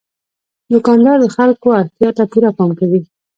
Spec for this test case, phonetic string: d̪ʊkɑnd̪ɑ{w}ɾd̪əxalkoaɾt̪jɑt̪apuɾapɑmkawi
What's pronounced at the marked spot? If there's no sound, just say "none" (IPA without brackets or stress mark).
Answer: none